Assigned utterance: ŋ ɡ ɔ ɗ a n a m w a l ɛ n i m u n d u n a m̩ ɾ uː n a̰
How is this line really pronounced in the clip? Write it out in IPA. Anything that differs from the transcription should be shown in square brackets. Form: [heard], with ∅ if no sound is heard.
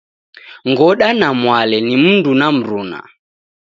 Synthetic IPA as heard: ŋ ɡ ɔ ɗ a n a m w a l ɛ n i m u n d u n a m̩ ɾ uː n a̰

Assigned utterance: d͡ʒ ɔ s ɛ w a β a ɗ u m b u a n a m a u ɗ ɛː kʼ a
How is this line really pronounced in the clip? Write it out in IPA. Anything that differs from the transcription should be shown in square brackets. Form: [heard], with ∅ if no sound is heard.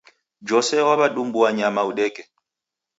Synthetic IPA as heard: d͡ʒ ɔ s ɛ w a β a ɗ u m b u a [ɲ] a m a u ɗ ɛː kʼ [ɛ]

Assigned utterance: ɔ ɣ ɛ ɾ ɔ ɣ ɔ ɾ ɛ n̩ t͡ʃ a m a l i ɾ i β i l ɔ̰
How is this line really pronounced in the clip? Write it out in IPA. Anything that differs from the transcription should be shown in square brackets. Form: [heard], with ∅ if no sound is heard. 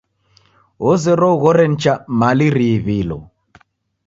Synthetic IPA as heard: ɔ [z] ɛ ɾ ɔ ɣ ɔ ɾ ɛ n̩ t͡ʃ a m a l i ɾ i β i l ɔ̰

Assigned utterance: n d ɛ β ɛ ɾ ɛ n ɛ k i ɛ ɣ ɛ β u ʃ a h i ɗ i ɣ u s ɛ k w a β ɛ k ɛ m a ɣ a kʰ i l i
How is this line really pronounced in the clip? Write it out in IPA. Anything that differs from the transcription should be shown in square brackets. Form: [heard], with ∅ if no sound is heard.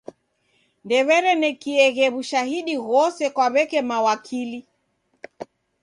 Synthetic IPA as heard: n d ɛ β ɛ ɾ ɛ n ɛ k i ɛ ɣ ɛ β u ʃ a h i ɗ i ɣ [ɔ] s ɛ k w a β ɛ k ɛ m a [w] a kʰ i l i

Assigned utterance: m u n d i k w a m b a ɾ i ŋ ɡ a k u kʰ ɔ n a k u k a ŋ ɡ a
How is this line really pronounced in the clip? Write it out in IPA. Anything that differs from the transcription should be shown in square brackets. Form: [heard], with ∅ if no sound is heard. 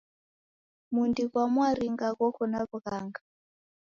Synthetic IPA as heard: m u n d i k w a m [w] a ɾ i ŋ ɡ a k [ɔ] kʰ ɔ n a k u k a ŋ ɡ a

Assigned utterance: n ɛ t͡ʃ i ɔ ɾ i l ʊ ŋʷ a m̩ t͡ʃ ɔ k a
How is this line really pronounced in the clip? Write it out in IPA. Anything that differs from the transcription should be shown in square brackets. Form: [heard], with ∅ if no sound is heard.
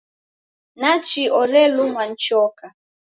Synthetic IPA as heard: n [a] t͡ʃ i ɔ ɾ [e] l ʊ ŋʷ a [n̩] t͡ʃ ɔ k a

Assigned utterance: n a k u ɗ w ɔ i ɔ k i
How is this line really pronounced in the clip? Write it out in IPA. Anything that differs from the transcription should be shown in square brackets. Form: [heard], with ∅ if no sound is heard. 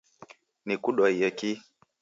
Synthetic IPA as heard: n [i] k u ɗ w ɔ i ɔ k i

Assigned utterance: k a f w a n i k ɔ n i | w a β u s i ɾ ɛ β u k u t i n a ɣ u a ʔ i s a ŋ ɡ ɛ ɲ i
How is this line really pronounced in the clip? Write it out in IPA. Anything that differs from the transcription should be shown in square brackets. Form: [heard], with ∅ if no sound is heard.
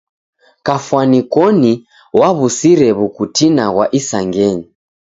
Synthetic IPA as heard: k a f w a n i k ɔ n i | w a β u s i ɾ ɛ β u k u t i n a ɣ [w] a ʔ i s a ŋ ɡ ɛ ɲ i

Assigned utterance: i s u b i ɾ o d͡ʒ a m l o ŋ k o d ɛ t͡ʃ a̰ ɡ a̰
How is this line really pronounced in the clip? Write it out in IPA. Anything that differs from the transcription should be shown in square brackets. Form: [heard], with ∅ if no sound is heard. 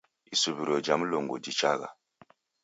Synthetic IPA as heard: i s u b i ɾ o d͡ʒ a m l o ŋ [ɡ] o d [i] t͡ʃ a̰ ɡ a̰

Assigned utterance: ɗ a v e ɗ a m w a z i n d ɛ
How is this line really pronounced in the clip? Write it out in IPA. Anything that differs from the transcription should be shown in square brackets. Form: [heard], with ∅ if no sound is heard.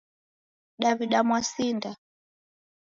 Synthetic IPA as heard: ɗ a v [i] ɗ a m w a [s] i n d [a]

